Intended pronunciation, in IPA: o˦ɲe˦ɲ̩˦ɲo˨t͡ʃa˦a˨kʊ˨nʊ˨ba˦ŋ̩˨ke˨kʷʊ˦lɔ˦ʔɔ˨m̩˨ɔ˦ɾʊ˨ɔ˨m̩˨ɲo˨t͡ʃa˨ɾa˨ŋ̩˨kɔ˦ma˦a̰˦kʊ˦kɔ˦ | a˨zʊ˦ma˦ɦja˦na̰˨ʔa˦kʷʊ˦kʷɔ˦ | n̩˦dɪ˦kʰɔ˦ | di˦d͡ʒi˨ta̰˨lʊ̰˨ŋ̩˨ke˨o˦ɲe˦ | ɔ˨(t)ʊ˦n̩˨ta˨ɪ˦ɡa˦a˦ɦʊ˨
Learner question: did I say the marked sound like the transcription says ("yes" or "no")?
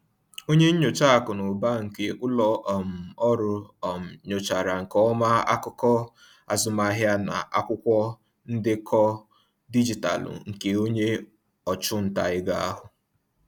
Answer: no